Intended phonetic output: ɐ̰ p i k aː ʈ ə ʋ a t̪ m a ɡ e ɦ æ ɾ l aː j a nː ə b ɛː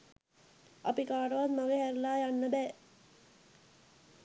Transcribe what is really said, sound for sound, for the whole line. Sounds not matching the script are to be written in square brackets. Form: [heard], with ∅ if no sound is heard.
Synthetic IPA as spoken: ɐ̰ p i k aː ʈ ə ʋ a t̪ m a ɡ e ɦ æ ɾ l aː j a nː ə b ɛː